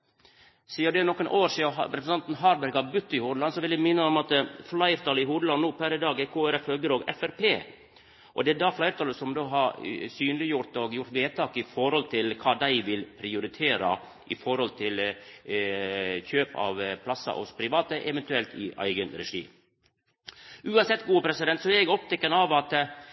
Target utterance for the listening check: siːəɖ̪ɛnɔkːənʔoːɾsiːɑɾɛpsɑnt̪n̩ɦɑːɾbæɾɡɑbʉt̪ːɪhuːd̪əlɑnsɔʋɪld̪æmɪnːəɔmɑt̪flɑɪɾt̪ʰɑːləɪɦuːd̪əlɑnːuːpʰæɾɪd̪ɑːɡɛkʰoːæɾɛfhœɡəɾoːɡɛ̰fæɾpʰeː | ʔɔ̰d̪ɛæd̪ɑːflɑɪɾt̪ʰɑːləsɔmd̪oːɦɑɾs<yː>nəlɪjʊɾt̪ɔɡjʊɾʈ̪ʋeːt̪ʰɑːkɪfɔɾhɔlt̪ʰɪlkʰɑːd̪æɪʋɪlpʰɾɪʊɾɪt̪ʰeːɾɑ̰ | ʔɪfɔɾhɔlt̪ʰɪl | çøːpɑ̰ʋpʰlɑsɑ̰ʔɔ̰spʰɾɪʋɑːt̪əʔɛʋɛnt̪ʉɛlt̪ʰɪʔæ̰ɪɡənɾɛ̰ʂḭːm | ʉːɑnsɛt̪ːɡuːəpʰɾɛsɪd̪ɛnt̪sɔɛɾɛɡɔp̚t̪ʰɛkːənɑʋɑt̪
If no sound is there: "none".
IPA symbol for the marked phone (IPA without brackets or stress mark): yː